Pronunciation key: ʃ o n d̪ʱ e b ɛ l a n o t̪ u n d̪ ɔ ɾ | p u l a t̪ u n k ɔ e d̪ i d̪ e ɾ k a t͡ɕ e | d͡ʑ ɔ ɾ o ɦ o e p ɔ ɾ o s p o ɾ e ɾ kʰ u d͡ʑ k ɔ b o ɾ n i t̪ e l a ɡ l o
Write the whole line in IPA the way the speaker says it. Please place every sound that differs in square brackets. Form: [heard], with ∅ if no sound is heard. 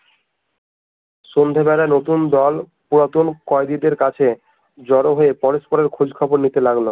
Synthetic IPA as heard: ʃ o n d̪ʱ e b ɛ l a n o t̪ u n d̪ ɔ [l] | p u [ɾ] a t̪ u n k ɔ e d̪ i d̪ e ɾ k a [t͡ɕʰ] e | d͡ʑ ɔ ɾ o ɦ o e p ɔ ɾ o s p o ɾ e ɾ kʰ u d͡ʑ [kʰ] ɔ b o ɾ n i t̪ e l a ɡ l o